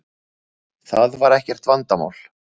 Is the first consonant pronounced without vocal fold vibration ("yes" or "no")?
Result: yes